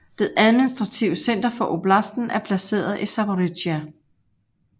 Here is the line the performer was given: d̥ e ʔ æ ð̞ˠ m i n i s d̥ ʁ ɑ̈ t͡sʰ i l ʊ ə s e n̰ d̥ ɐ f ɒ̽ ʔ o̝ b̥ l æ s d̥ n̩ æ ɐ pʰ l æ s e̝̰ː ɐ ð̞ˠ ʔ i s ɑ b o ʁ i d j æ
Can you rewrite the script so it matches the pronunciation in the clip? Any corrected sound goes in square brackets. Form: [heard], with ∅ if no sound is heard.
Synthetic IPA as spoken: d̥ e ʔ æ ð̞ˠ m i n i s d̥ ʁ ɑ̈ t͡sʰ i [∅] ʊ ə s e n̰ d̥ ɐ f ɒ̽ ʔ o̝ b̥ l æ s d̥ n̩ æ ɐ pʰ l æ s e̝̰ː ɐ ð̞ˠ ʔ i s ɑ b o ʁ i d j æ